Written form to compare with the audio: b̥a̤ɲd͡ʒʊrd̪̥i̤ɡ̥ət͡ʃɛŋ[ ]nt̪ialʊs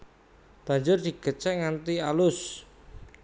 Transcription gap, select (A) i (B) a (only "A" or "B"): B